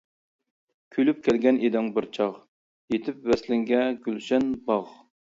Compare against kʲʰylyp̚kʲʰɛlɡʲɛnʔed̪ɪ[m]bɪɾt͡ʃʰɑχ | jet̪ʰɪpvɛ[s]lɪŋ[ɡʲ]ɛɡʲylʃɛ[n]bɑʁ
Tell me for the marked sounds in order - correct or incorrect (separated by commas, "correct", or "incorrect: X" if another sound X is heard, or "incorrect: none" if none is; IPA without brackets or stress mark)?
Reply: incorrect: ŋ, correct, correct, correct